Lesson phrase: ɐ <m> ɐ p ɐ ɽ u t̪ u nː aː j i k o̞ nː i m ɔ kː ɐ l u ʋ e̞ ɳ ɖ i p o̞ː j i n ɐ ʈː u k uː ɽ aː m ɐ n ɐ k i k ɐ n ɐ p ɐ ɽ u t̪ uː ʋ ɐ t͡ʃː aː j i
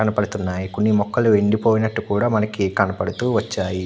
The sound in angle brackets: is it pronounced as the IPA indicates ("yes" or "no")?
no